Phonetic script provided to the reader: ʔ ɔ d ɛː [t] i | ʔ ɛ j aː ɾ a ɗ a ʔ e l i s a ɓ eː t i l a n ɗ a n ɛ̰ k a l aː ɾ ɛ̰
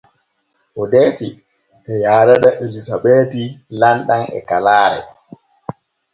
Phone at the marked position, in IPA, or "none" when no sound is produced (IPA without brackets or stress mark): t